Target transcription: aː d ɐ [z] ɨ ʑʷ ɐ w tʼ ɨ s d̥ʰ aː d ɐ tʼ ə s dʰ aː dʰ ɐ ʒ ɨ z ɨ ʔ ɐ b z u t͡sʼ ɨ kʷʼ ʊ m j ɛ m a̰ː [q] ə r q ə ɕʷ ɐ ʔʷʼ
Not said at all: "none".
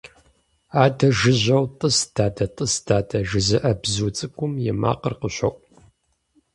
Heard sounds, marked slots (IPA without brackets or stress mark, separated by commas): ʒ, q